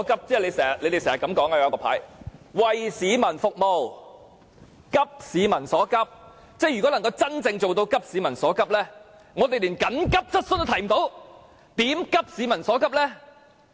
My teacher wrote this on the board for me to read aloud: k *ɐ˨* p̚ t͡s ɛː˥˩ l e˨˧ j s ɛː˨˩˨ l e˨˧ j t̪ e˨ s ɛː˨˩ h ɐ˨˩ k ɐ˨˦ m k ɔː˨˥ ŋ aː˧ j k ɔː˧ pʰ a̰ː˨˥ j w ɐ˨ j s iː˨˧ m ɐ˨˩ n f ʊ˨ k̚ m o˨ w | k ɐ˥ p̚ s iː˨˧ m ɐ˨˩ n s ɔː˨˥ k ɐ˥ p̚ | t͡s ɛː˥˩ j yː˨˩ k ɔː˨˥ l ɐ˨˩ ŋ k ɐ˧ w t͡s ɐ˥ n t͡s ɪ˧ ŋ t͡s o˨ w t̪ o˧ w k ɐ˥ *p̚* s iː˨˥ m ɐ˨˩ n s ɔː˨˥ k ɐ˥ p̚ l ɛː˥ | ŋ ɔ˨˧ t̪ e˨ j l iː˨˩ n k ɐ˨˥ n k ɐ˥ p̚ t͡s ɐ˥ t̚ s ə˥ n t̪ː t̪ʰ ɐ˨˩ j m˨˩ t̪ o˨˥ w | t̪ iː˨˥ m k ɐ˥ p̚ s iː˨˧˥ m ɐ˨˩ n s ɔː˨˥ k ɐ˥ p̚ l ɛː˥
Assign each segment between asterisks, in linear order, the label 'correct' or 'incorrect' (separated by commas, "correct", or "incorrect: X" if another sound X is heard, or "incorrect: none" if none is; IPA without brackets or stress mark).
incorrect: ɐ˥, correct